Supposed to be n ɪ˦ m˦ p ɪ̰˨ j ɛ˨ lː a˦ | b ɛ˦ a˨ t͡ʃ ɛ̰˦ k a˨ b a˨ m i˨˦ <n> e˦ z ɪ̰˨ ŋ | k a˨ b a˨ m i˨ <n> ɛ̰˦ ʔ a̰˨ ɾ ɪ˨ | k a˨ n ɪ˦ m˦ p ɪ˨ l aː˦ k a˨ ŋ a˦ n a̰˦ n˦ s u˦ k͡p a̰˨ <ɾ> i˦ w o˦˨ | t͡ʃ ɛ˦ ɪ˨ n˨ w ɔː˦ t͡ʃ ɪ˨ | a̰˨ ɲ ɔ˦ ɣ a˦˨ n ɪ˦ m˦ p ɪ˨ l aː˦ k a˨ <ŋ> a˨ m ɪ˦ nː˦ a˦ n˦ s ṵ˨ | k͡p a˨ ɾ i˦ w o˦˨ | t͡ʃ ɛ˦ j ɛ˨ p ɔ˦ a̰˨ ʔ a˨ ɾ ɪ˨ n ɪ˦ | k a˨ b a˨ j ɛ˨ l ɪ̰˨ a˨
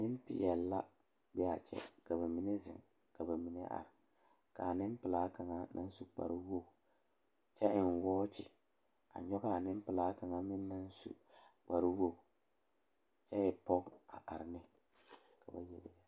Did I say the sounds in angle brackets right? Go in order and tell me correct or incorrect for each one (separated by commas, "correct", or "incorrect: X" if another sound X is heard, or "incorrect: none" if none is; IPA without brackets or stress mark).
correct, correct, correct, correct